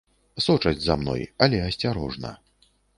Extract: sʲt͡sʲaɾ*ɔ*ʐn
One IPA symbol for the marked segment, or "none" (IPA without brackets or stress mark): ɔ